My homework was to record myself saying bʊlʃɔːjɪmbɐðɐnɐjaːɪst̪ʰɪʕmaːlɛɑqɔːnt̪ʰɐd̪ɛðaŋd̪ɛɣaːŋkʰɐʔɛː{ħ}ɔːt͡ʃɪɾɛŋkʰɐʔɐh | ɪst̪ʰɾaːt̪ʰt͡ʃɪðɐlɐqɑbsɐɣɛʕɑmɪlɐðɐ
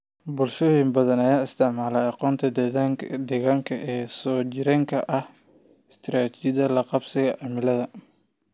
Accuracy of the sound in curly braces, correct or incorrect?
incorrect